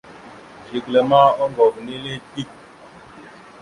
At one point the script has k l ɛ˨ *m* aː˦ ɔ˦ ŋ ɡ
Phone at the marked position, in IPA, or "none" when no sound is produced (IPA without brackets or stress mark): m